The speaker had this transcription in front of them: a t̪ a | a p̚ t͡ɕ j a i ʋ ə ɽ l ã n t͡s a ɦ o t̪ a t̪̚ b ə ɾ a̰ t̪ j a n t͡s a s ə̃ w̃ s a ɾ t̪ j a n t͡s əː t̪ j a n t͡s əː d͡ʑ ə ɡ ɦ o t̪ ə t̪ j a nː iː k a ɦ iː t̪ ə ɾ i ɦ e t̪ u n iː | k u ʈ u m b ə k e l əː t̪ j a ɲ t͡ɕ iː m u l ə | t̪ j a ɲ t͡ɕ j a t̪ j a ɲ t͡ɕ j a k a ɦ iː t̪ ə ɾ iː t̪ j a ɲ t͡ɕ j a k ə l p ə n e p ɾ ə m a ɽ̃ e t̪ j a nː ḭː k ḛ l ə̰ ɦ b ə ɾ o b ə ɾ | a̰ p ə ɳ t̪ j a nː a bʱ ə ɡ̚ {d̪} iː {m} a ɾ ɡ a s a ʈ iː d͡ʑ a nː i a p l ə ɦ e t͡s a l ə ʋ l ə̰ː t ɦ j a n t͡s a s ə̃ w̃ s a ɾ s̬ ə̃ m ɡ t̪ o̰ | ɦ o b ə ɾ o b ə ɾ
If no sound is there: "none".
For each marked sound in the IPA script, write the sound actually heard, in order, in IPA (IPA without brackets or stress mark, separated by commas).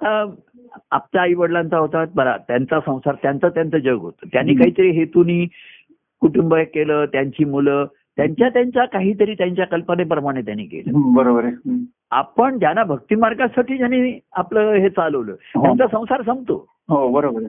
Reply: t̪, m